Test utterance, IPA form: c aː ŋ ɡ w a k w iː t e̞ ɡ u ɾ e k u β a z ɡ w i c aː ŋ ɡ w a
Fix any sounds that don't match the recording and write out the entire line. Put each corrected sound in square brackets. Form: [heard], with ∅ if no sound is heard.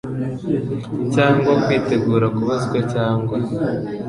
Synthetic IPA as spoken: c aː ŋ ɡ w a k w iː t e̞ ɡ [uː] ɾ [a] k u β a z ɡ w [e] c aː ŋ ɡ w a